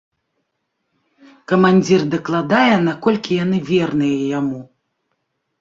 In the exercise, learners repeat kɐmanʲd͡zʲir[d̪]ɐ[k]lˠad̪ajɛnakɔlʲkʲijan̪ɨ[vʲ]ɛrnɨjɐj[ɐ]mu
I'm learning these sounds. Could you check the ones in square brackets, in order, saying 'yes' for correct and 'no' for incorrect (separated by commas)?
yes, yes, yes, no